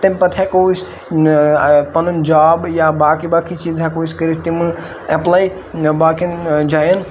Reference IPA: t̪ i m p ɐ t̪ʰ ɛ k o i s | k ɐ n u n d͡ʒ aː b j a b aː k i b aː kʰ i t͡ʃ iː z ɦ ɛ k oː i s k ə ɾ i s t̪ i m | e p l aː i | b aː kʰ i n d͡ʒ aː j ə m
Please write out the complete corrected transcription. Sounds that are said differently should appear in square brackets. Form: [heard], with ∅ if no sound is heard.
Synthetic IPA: t̪ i m p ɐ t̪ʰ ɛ k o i s | [p] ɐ n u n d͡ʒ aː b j a b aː k i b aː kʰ i t͡ʃ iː z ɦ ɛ k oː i s k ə ɾ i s t̪ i m | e p l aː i | b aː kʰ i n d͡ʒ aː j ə [n]